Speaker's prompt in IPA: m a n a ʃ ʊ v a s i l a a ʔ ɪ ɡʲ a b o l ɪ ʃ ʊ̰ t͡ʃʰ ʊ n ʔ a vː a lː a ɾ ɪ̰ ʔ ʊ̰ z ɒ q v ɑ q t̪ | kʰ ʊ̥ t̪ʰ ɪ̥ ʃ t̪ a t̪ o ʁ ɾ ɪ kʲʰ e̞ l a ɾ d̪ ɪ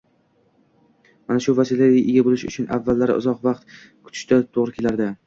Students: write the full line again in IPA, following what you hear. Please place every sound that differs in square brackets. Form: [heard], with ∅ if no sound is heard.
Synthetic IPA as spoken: m a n a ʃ ʊ v a s i l a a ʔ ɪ ɡʲ a b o l ɪ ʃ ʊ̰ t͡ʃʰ ʊ n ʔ a vː a lː a ɾ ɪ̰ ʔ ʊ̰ z ɒ q v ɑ q t̪ | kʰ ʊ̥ t̪ʰ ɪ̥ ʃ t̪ a [t̪ʰ] o ʁ ɾ ɪ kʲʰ e̞ l a ɾ d̪ ɪ